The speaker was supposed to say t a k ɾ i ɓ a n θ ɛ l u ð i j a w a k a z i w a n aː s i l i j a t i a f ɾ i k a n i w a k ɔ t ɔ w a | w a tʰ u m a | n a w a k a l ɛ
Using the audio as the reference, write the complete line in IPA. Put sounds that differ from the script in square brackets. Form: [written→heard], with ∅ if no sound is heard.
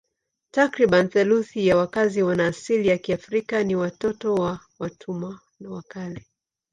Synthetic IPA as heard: t a k ɾ i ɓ a n θ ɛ l u [ð→θ] i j a w a k a z i w a n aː s i l i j a [t→k] i a f ɾ i k a n i w a [k→t] ɔ t ɔ w a | w a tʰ u m a | n a w a k a l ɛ